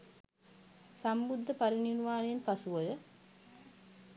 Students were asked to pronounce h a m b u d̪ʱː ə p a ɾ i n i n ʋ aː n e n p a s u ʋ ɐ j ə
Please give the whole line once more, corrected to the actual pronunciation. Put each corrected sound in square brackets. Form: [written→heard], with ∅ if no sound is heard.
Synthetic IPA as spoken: [h→s] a m b u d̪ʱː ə p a ɾ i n i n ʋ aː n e n p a s u ʋ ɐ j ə